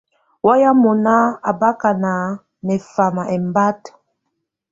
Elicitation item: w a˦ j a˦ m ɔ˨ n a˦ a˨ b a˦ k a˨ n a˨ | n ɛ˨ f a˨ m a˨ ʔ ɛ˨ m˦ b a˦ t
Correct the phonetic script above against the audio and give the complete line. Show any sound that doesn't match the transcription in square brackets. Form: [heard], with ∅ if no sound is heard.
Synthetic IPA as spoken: w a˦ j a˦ m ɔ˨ n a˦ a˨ b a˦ k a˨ n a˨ | n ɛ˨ f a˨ m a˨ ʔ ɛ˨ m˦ b a˦ t